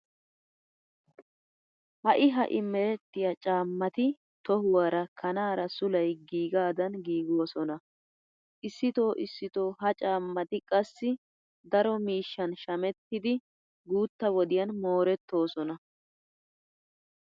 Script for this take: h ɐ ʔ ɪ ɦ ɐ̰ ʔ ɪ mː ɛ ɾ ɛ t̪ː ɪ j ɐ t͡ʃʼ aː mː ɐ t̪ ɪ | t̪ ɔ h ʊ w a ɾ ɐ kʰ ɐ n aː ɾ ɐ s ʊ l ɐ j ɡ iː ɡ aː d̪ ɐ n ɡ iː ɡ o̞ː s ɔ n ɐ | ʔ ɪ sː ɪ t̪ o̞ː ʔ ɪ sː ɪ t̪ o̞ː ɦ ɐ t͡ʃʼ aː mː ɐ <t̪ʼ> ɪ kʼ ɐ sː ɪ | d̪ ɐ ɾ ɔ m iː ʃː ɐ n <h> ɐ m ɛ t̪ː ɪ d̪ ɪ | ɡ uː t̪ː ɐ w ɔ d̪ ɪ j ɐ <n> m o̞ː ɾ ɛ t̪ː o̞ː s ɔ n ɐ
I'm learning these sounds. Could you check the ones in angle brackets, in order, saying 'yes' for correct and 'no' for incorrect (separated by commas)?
no, no, yes